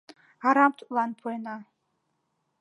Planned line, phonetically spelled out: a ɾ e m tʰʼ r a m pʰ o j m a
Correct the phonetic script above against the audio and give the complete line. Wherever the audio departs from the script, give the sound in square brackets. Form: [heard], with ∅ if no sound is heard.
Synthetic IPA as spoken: a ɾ [a] m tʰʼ [l] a [n] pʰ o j [n] a